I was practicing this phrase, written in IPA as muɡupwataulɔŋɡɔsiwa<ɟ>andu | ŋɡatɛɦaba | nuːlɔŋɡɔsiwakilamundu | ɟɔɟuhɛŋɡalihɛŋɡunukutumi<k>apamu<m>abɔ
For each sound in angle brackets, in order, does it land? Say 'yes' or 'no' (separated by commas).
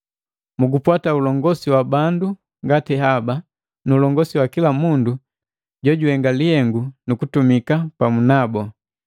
no, yes, no